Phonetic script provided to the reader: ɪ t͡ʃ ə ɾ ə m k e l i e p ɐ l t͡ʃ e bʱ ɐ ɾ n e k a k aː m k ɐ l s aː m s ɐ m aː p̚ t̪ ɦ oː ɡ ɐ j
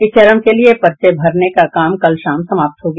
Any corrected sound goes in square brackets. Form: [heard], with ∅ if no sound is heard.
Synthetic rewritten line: ɪ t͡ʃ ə ɾ ə m k e l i e p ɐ [ɾ] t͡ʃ e bʱ ɐ ɾ n e k a k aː m k ɐ l [ʃ] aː m s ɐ m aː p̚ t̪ ɦ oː ɡ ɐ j